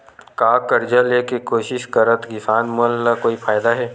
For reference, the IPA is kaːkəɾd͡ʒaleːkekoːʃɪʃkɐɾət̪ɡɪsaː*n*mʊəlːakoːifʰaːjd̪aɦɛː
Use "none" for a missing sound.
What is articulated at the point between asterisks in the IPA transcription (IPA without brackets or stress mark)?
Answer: n